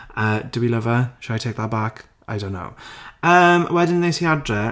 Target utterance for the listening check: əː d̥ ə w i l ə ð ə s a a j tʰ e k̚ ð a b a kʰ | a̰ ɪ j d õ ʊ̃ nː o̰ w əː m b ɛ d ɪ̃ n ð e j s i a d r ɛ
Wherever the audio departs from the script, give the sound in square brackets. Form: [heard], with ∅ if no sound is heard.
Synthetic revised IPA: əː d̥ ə w i l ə [v] ə [ʃ] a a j tʰ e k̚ ð a b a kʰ | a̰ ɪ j d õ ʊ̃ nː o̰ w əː m [w] ɛ d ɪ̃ n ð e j s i a d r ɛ